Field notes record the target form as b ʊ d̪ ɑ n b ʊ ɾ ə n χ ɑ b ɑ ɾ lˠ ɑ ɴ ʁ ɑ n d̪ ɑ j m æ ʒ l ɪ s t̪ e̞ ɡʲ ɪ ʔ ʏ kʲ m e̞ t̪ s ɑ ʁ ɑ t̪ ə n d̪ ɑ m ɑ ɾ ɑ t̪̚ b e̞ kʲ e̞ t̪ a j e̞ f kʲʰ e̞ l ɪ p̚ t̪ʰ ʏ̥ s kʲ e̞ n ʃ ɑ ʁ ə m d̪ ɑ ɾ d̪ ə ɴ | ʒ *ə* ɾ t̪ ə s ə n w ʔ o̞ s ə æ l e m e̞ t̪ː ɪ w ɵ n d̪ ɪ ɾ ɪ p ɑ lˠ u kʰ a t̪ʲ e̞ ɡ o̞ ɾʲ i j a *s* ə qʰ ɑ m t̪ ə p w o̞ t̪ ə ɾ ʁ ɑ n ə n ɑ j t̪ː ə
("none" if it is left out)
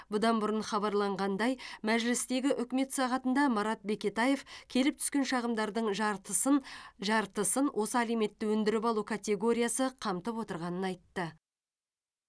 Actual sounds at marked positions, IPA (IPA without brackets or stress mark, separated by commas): ɑ, s